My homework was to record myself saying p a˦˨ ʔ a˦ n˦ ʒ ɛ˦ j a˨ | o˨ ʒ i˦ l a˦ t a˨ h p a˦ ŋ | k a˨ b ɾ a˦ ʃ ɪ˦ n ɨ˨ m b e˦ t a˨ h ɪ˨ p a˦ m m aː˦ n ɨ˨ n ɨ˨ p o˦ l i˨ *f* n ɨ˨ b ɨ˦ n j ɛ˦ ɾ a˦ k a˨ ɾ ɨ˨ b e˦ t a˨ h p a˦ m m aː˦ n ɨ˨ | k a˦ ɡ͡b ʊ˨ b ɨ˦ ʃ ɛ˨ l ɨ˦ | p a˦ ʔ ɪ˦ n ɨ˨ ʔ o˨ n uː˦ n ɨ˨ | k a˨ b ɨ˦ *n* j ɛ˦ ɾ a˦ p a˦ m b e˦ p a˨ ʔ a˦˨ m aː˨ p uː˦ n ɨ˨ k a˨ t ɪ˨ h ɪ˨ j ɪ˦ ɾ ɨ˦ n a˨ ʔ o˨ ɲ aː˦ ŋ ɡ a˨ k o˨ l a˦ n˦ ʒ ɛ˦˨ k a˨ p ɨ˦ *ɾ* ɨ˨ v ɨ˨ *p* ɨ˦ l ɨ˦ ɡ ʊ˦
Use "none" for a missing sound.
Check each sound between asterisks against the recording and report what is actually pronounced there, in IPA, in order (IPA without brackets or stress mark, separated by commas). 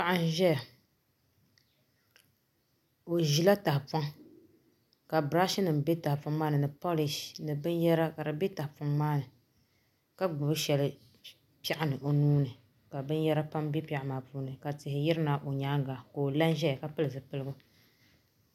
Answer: ʃ, n, l, p